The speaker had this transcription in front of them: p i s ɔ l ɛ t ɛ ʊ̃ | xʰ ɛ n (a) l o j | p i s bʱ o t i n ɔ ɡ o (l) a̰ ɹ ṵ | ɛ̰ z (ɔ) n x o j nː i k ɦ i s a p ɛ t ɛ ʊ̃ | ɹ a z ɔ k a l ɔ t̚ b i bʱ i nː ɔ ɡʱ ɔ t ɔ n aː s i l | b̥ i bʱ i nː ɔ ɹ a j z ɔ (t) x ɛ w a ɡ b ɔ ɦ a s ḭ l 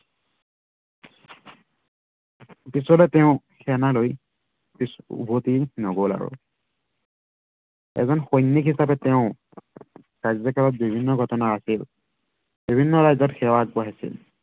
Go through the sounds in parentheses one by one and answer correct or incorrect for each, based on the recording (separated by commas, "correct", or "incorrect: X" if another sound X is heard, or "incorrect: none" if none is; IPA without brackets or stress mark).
correct, correct, correct, correct